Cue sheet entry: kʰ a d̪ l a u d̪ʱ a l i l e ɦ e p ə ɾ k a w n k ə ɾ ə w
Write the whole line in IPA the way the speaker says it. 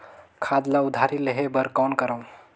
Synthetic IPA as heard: kʰ a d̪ l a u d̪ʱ a ɾ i l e ɦ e b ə ɾ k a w n k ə ɾ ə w

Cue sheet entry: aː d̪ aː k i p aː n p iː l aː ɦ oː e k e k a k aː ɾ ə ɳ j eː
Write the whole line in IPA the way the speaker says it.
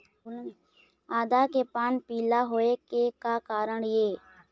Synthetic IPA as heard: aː d̪ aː k e p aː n p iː l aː ɦ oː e k e k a k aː ɾ ə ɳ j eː

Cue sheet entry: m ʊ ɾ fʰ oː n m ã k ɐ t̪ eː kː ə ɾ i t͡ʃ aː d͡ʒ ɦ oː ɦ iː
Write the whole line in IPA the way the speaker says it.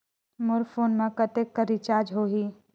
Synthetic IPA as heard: m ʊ ɾ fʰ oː n m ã k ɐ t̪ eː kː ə ɾ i t͡ʃ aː d͡ʒ ɦ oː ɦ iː

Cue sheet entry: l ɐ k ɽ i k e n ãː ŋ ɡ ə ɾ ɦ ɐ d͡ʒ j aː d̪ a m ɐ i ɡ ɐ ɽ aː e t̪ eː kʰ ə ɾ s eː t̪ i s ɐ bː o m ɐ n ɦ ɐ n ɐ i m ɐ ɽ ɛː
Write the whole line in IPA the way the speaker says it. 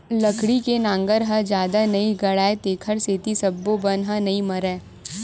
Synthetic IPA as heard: l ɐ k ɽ i k e n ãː ŋ ɡ ə ɾ ɦ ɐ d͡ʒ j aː d̪ a n ɐ i ɡ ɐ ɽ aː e t̪ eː kʰ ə ɾ s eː t̪ i s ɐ bː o b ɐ n ɦ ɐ n ɐ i m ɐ ɾ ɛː

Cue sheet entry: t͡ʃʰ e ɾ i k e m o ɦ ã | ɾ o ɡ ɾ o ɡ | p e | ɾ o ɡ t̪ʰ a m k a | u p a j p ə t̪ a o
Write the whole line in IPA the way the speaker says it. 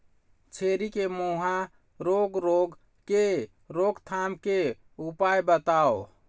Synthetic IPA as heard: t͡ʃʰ e ɾ i k e m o ɦ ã | ɾ o ɡ ɾ o ɡ | k e | ɾ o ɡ t̪ʰ a m k e | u p a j b ə t̪ a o

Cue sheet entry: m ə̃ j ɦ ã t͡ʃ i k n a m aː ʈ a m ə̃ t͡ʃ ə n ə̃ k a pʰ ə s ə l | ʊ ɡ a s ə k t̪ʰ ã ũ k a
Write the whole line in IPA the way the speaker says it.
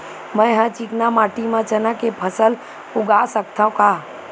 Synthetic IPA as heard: m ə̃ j ɦ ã t͡ʃ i k n a m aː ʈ i m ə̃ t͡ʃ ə n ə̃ k e pʰ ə s ə l | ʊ ɡ a s ə k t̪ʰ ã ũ k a

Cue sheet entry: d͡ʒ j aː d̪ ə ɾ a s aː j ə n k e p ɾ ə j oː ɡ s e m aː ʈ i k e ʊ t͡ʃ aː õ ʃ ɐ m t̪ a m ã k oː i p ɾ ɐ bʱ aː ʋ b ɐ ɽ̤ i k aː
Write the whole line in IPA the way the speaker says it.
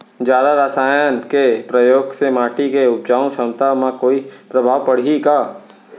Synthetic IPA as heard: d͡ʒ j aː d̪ a ɾ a s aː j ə n k e p ɾ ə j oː ɡ s e m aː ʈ i k e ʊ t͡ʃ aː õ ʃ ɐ m t̪ a m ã k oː i p ɾ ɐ bʱ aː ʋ p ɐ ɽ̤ i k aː

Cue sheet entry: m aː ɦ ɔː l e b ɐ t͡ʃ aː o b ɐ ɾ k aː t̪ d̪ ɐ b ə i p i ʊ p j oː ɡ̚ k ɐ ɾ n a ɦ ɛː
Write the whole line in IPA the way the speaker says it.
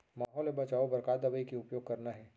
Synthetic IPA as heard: m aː ɦ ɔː l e b ɐ t͡ʃ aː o b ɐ ɾ k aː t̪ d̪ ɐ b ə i k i ʊ p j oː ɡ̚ k ɐ ɾ n a ɦ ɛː

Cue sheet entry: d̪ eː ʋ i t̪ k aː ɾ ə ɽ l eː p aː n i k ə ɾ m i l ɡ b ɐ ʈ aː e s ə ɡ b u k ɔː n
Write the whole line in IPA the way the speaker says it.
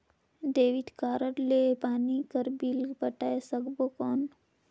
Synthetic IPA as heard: d̪ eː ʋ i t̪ k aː ɾ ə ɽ l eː p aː n i k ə ɾ b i l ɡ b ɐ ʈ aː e s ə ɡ b o k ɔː n

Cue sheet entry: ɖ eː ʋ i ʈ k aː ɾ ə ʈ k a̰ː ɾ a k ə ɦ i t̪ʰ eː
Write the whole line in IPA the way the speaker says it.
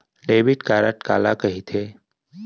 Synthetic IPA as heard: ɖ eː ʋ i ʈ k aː ɾ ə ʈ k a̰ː l a k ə ɦ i t̪ʰ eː

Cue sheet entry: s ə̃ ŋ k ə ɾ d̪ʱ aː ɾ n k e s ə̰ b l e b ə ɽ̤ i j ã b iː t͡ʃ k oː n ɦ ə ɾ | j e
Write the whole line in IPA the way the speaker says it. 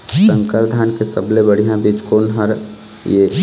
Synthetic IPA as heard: s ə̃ ŋ k ə ɾ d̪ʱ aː n k e s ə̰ b l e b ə ɽ̤ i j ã b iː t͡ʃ k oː n ɦ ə ɾ | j e

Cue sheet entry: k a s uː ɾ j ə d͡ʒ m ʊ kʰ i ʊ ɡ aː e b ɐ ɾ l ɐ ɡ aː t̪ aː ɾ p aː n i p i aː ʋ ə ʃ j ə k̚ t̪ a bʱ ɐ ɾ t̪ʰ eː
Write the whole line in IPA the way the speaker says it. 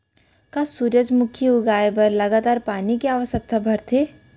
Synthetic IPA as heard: k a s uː ɾ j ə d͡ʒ m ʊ kʰ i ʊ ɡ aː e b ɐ ɾ l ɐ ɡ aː t̪ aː ɾ p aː n i k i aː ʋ ə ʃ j ə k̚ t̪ a bʱ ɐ ɾ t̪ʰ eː

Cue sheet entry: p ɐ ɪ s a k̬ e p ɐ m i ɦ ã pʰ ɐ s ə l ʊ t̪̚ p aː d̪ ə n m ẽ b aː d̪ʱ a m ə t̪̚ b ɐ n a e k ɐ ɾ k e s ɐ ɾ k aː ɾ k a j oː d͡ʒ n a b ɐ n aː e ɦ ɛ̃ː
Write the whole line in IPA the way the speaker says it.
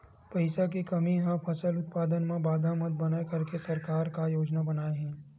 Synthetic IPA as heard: p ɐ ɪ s a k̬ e k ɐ m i ɦ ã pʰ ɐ s ə l ʊ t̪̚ p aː d̪ ə n m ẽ b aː d̪ʱ a m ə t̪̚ b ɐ n a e k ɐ ɾ k e s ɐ ɾ k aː ɾ k a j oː d͡ʒ n a b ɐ n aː e ɦ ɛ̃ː

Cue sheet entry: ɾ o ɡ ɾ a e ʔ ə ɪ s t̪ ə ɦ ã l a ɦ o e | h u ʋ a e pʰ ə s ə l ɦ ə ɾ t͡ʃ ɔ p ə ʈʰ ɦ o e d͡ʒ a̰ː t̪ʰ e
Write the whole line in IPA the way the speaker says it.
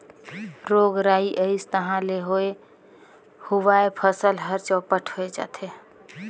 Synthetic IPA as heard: ɾ o ɡ ɾ a i ʔ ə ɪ s t̪ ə ɦ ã l e ɦ o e | h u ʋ a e pʰ ə s ə l ɦ ə ɾ t͡ʃ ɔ p ə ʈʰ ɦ o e d͡ʒ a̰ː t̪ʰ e

